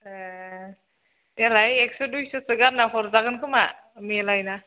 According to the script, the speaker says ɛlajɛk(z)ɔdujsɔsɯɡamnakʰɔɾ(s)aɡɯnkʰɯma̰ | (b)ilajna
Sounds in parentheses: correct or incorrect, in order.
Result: incorrect: s, incorrect: z, incorrect: m

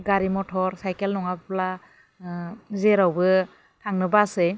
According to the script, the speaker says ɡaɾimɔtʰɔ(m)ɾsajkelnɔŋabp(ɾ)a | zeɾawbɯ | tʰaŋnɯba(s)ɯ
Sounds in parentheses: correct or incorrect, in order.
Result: incorrect: none, incorrect: l, correct

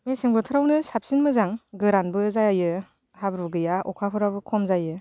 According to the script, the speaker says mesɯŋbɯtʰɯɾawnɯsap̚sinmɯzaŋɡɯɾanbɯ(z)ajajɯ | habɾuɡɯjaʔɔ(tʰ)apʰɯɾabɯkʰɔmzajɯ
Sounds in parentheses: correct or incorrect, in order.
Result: correct, incorrect: kʰ

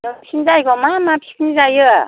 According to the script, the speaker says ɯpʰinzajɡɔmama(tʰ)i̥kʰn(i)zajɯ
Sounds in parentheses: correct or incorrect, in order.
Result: incorrect: pʰ, correct

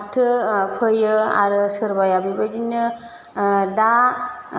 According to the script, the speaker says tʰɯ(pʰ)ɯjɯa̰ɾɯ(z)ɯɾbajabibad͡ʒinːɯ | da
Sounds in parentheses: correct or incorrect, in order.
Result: correct, incorrect: s

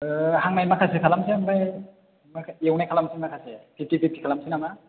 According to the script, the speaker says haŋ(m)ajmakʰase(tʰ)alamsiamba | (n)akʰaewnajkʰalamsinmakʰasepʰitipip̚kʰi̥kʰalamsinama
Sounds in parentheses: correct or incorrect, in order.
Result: incorrect: n, incorrect: kʰ, incorrect: m

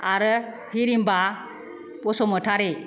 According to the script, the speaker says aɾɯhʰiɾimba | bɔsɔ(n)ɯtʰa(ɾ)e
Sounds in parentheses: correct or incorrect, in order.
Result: incorrect: m, correct

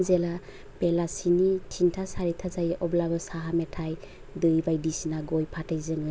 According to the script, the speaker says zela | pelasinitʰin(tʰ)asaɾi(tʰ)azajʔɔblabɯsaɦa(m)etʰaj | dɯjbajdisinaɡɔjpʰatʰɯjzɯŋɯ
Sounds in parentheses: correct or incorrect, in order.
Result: correct, correct, correct

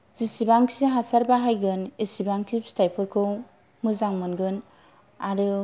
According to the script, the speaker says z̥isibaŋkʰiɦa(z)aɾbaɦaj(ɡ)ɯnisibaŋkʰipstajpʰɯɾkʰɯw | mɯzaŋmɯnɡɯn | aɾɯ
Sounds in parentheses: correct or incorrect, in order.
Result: incorrect: s, correct

